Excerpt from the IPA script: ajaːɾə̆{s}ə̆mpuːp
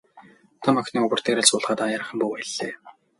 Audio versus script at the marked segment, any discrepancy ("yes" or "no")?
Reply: yes